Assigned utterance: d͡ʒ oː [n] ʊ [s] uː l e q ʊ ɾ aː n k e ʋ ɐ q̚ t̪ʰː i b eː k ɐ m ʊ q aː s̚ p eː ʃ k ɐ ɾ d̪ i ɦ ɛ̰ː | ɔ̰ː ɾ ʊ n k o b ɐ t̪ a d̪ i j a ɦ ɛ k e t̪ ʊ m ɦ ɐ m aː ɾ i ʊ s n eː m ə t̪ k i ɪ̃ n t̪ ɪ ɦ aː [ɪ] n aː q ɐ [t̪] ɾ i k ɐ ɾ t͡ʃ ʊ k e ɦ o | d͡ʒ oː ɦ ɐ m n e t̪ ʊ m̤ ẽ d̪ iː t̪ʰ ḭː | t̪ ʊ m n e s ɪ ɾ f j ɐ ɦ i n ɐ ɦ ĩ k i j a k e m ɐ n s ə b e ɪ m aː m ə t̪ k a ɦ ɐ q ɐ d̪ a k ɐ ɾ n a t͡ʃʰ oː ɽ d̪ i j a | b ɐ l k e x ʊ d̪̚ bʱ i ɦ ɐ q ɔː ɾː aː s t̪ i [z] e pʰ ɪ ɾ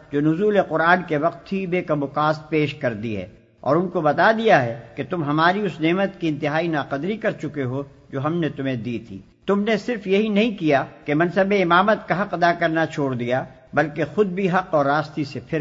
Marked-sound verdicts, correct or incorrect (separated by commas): correct, incorrect, incorrect, incorrect, incorrect